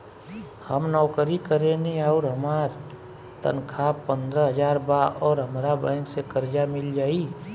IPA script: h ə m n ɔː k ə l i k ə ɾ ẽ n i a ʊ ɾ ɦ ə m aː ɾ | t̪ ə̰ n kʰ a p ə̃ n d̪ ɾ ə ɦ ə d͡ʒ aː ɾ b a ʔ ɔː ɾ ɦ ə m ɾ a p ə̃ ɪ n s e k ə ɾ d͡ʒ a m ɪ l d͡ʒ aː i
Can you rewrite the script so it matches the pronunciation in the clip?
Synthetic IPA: h ə m n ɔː k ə ɾ i k ə ɾ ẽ n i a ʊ ɾ ɦ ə m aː ɾ | t̪ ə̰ n kʰ a p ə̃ n d̪ ɾ ə ɦ ə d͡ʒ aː ɾ b a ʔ ɔː ɾ ɦ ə m ɾ a b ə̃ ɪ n s e k ə ɾ d͡ʒ a m ɪ l d͡ʒ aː i

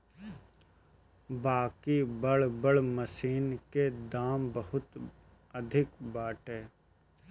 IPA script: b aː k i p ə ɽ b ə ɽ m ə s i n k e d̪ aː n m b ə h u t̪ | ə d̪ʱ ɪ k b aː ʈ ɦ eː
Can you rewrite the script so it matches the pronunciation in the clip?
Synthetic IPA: b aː k i b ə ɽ b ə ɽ m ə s iː n k e d̪ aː m b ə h ʊ t̪ | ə d̪ʱ ɪ k b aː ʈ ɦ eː

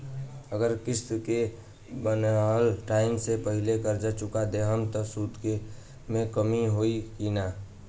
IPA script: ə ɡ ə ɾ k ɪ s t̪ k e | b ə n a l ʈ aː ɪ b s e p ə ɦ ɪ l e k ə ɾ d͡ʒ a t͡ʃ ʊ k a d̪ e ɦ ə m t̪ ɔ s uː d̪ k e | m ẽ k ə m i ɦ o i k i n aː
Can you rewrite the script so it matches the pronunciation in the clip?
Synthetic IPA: ə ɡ ə ɾ k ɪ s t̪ k e | b ə n a l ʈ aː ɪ m s e p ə ɦ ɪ l e k ə ɾ d͡ʒ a t͡ʃ ʊ k a d̪ e ɦ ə m t̪ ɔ s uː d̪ k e | m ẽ k ə m i ɦ o i k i n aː

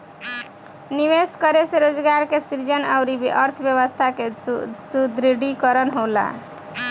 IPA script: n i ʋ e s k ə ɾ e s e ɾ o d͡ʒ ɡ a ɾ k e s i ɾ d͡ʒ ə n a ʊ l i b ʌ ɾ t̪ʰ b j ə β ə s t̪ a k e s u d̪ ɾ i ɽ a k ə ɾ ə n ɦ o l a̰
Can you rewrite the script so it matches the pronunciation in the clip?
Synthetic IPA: n i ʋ e s k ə ɾ e s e ɾ o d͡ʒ ɡ a ɾ k e s i ɾ d͡ʒ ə n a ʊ ɾ i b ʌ ɾ t̪ʰ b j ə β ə s t̪ʰ a k e s u d̪ ɾ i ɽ i k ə ɾ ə n ɦ o l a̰

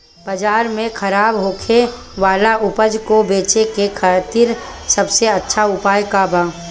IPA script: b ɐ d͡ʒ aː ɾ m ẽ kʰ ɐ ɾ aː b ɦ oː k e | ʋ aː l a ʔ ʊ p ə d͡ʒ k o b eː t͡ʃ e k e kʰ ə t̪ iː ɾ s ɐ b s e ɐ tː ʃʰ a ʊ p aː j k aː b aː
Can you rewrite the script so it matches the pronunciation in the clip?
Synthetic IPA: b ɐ d͡ʒ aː ɾ m ẽ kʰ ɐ ɾ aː b ɦ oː kʰ e | ʋ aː l a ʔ ʊ p ə d͡ʒ k o b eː t͡ʃ e k e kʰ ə t̪ iː ɾ s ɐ b s e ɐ tː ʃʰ a ʊ p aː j k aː b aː

